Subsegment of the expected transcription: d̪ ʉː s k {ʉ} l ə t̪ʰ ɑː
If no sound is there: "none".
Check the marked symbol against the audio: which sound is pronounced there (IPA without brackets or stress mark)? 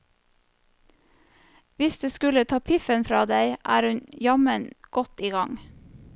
ʉ